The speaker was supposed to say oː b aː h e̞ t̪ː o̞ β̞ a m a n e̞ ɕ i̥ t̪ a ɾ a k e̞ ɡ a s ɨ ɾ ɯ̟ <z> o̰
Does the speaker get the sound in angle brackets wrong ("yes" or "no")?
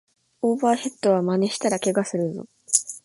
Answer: no